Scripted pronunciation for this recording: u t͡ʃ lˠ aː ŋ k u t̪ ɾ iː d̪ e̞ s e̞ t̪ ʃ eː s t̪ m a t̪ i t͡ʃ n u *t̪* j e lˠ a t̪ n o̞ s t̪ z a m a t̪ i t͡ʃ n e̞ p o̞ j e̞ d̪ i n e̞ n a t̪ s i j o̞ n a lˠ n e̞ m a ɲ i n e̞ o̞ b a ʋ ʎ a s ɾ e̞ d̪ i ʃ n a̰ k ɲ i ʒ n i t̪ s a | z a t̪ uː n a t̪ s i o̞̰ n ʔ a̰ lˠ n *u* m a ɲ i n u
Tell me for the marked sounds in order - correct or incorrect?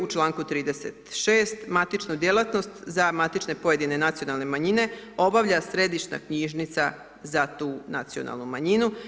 incorrect: d̪, correct

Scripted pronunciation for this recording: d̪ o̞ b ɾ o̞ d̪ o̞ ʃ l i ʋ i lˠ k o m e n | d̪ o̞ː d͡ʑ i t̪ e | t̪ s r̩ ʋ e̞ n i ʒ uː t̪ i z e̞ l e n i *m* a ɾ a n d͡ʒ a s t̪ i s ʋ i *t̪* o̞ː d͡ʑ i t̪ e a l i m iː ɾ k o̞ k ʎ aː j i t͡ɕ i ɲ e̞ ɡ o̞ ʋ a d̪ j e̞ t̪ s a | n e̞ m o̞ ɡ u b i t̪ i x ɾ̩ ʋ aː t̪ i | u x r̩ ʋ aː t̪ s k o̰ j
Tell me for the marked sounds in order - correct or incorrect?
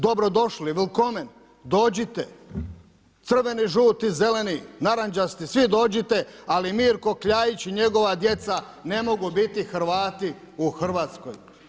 incorrect: n, incorrect: d̪

